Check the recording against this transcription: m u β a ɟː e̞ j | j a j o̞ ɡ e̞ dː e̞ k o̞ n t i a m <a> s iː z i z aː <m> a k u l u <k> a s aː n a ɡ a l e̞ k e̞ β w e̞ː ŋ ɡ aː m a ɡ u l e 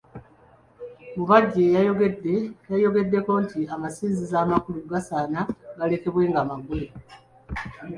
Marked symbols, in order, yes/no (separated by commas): yes, yes, no